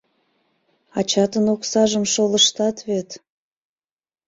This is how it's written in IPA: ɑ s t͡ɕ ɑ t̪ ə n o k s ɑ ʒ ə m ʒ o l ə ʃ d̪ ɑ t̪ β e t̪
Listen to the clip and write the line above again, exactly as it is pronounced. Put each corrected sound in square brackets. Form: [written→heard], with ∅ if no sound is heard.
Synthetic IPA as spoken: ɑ [s→∅] t͡ɕ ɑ t̪ ə n o k s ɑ ʒ ə m [ʒ→ʃ] o l ə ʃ [d̪→t̪] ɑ t̪ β e t̪